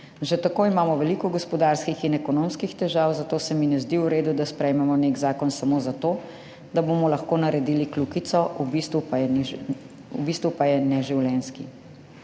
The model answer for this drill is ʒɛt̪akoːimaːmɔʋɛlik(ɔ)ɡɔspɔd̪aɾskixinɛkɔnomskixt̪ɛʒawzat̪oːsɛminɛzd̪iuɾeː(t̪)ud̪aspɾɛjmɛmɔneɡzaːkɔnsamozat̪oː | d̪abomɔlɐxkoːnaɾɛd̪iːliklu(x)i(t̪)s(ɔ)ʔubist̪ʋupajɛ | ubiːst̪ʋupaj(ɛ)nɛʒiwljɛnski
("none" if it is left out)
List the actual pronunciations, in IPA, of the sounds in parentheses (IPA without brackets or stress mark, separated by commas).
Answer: ɔ, d̪, k, t̪, ɔ, ɛ